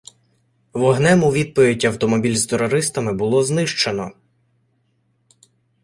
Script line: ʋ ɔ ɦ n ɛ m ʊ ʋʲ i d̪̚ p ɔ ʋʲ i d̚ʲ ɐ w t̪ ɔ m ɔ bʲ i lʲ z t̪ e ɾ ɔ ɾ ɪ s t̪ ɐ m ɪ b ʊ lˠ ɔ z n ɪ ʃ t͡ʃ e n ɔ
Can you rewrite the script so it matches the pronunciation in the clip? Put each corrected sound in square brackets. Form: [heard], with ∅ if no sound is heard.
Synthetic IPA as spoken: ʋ ɔ ɦ n ɛ m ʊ ʋʲ i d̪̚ p ɔ ʋʲ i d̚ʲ ɐ w t̪ ɔ m ɔ bʲ i lʲ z t̪ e ɾ ɔ ɾ ɪ s t̪ ɐ m ɪ b ʊ lˠ ɔ z n ɪ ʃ t͡ʃ e n ɔ